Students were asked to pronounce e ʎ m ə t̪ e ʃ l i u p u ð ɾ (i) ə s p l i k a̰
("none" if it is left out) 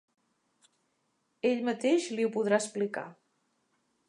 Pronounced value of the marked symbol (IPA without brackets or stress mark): a